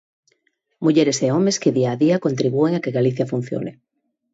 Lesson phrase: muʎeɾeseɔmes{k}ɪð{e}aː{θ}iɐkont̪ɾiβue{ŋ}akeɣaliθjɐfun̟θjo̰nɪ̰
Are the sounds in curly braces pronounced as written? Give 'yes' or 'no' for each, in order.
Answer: yes, no, no, yes

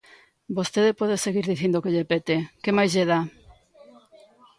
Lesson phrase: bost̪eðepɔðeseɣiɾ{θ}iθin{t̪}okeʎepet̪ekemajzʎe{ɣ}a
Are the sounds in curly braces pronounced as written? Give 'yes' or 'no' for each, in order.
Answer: no, no, no

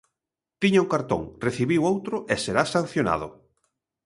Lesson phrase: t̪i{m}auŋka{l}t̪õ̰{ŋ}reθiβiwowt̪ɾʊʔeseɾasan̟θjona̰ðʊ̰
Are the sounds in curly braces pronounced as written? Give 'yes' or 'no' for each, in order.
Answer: no, no, yes

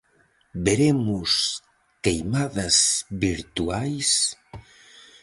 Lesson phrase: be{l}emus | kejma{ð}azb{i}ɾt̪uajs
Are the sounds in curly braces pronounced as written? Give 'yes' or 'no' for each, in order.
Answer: no, yes, yes

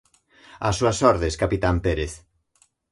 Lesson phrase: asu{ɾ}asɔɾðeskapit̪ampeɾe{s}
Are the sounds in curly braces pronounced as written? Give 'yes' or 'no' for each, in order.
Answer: no, no

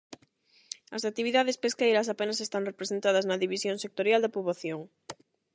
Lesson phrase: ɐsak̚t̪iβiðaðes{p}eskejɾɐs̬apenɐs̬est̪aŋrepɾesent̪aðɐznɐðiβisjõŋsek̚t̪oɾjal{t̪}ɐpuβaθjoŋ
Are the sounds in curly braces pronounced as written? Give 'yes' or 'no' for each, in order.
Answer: yes, no

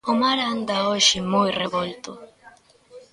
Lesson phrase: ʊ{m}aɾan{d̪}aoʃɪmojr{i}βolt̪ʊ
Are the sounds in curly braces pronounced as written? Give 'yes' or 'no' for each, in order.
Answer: yes, yes, no

